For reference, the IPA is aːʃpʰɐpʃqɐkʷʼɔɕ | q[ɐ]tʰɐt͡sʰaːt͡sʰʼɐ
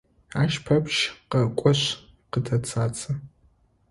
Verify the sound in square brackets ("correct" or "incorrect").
incorrect